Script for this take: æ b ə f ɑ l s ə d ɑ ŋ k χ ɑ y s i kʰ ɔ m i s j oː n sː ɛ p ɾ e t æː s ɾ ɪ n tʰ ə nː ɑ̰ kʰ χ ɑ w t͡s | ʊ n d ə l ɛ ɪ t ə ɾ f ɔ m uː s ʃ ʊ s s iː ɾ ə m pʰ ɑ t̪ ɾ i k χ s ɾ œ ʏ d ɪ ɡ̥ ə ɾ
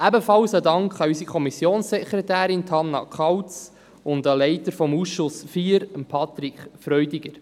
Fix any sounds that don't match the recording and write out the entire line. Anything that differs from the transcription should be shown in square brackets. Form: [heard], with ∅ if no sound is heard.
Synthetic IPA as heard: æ b ə f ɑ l s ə d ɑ ŋ k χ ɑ y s i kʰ ɔ m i s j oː n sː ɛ [k] ɾ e t æː [∅] ɾ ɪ n tʰ [ɑ] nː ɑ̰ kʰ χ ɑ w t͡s | ʊ n d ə l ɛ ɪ t ə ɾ f ɔ m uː s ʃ ʊ s [f] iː ɾ ə m pʰ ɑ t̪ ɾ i k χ [f] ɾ œ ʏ d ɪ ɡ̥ ə ɾ